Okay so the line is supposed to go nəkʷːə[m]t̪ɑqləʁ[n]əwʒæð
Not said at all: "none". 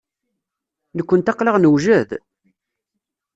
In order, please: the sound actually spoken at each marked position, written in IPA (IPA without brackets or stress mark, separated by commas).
n, n